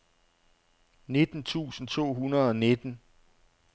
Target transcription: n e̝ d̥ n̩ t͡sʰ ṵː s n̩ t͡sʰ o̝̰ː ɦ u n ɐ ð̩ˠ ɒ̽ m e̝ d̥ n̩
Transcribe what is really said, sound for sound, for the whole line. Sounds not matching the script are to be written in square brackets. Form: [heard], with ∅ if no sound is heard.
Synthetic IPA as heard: n e̝ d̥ n̩ t͡sʰ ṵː s n̩ t͡sʰ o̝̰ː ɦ u n ɐ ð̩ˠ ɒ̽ [n] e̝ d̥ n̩